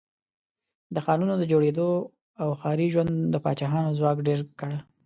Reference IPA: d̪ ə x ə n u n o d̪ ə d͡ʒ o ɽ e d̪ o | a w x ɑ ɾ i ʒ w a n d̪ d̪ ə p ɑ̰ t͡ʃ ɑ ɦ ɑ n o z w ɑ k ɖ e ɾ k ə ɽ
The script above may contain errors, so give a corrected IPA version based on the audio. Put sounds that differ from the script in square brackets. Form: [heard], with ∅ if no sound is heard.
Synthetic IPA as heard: d̪ ə x [ɑ] n u n o d̪ ə d͡ʒ o ɽ e d̪ o | a w x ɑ ɾ i ʒ w a n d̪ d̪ ə p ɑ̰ t͡ʃ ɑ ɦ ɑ n o z w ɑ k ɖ e ɾ k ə ɽ